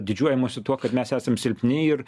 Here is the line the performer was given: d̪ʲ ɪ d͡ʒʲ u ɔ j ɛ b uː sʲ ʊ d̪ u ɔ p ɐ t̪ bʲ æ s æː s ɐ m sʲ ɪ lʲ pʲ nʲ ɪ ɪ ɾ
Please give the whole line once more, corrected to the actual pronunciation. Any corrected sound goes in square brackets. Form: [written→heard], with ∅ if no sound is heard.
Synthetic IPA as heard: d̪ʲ ɪ d͡ʒʲ u ɔ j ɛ [b→m] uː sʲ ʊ [d̪→t̪] u ɔ [p→k] ɐ t̪ [bʲ→mʲ] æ s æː s ɐ m sʲ ɪ lʲ pʲ nʲ ɪ ɪ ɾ